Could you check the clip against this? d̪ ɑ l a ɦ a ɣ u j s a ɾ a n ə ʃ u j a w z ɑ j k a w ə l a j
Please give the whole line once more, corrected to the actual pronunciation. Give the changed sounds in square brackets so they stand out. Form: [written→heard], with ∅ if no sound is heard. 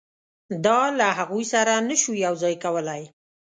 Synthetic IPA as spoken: d̪ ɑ l a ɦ a ɣ u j s a ɾ a n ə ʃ u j a w z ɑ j k a w ə l a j